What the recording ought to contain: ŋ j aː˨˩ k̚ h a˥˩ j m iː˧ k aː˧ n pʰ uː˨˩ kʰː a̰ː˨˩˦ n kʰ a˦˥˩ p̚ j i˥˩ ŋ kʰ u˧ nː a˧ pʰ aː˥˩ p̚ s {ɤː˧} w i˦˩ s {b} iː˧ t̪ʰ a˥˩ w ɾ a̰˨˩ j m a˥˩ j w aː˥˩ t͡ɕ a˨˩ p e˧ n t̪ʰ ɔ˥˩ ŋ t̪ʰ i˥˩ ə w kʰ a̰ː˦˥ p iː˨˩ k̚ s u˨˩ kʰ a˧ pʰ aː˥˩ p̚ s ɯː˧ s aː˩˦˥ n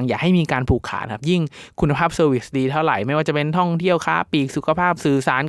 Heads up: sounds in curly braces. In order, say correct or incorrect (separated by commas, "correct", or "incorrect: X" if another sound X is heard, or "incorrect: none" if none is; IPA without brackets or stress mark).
correct, incorrect: d